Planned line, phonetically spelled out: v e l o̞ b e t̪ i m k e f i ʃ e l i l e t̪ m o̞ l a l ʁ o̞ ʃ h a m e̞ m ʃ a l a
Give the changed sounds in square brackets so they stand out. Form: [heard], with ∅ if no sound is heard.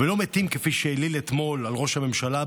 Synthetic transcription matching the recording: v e l o̞ [m] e t̪ i m k e f i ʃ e l i l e t̪ m o̞ l a l ʁ o̞ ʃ h a m e̞ m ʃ a l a